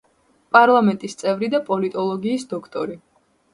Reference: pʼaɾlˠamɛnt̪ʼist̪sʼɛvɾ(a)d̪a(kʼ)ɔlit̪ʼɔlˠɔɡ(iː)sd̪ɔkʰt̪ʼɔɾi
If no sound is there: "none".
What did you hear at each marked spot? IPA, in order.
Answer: i, pʼ, iː

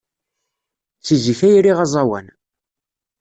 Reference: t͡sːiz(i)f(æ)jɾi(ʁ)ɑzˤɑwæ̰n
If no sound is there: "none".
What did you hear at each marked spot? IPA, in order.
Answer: i, æ, ʁ

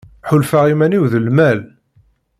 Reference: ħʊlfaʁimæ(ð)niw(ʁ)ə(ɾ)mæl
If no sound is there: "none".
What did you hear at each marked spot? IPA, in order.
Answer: none, ð, l

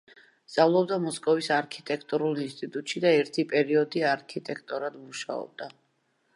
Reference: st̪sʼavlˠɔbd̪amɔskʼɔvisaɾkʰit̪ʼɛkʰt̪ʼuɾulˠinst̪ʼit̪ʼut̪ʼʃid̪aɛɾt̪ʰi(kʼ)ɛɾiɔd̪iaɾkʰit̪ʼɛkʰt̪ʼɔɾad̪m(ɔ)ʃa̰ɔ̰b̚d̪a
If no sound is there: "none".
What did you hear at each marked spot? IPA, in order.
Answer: pʼ, u

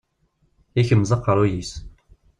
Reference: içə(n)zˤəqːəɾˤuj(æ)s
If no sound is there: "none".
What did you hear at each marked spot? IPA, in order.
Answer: m, i

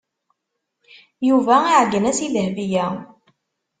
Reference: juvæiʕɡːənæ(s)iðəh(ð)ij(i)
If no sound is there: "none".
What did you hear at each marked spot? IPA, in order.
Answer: s, v, æ

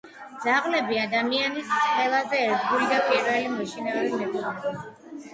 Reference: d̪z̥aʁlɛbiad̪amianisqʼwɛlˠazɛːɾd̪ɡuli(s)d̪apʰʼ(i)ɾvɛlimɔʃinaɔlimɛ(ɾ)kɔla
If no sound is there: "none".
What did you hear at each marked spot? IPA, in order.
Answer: none, i, none

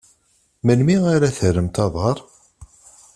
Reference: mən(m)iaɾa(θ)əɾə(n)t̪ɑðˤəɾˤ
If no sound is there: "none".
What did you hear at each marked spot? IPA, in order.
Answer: m, θ, m

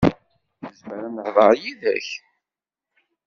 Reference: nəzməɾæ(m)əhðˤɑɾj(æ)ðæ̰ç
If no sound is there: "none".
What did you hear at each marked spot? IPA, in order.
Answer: n, i

